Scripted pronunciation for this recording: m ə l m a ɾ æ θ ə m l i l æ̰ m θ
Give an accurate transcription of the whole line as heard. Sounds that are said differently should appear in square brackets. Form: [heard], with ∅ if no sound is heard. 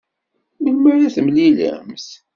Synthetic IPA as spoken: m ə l m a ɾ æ θ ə m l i l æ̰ m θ